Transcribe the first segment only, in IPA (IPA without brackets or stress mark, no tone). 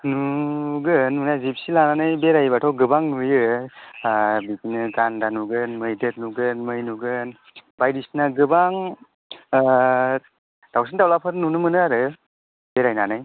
n